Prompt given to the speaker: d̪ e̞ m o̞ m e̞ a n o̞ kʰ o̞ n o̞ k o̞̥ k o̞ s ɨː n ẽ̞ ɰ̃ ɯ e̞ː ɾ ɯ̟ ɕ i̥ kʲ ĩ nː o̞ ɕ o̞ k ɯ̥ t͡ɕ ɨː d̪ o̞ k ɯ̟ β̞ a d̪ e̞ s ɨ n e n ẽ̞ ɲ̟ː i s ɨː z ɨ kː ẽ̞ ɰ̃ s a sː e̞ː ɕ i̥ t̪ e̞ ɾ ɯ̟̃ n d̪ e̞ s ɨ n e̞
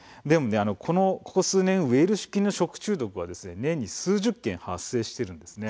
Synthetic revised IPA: d̪ e̞ m o̞ n e̞ a n o̞ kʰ o̞ n o̞ k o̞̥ k o̞ s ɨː n ẽ̞ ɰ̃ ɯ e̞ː ɾ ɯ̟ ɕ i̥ kʲ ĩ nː o̞ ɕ o̞ k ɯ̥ t͡ɕ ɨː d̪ o̞ k ɯ̟ β̞ a d̪ e̞ s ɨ n e n ẽ̞ ɲ̟ː i s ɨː ʑ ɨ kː ẽ̞ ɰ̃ h a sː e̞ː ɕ i̥ t̪ e̞ ɾ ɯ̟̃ n d̪ e̞ s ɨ n e̞